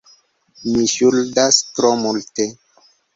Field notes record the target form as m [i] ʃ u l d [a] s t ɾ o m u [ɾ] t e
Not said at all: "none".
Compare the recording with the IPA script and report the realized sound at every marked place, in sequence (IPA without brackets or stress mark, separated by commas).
i, a, l